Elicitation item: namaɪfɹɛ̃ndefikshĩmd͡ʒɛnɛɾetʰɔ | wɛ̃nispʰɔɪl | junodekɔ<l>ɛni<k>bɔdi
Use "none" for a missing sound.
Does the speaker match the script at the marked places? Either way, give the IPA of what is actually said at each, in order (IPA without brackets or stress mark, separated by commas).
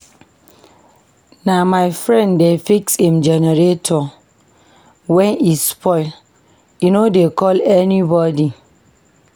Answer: l, none